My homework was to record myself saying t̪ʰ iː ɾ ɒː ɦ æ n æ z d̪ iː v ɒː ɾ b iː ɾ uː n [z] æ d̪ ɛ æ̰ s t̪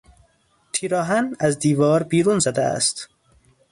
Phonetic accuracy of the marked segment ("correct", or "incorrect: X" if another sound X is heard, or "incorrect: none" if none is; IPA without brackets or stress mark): correct